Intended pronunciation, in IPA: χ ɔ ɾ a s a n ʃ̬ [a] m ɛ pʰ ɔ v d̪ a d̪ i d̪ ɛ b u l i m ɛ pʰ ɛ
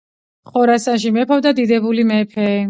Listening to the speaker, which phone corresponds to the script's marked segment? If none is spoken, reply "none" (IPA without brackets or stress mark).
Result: i